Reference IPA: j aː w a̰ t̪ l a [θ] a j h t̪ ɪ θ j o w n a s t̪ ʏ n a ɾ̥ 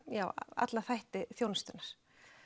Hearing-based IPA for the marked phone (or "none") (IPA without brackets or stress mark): θ